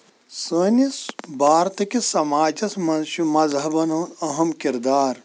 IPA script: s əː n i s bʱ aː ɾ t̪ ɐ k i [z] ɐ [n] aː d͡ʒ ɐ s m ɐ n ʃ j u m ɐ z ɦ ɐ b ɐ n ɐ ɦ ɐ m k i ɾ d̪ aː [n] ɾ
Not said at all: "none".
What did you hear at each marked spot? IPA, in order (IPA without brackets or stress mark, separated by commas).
s, m, none